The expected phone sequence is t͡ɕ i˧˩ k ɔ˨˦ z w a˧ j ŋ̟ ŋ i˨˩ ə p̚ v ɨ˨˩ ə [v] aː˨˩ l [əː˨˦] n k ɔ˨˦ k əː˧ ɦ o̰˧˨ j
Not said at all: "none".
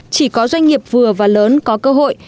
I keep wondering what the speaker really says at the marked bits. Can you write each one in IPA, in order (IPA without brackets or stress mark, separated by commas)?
v, əː˨˦